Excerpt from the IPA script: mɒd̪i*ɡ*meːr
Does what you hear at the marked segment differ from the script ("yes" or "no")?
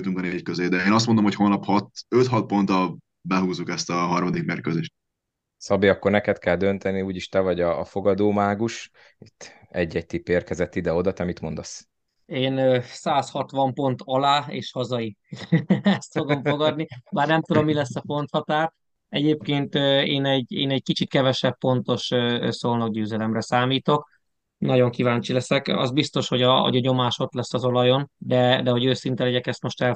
yes